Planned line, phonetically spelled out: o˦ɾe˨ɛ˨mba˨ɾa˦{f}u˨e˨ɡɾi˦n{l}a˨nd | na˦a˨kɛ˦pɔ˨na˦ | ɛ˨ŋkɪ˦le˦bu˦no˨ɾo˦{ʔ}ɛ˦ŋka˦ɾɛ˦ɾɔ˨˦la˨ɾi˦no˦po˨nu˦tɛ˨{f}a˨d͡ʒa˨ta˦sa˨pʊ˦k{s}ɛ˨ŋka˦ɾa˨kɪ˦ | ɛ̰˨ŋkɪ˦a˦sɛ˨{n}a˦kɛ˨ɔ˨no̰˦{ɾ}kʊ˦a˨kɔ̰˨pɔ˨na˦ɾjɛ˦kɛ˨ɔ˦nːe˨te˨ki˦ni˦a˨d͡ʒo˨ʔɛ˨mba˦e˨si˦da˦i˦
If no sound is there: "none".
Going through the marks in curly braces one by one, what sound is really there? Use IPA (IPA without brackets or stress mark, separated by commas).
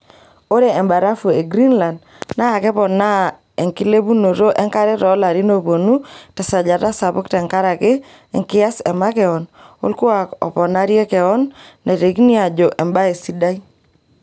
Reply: f, l, ʔ, s, t, m, l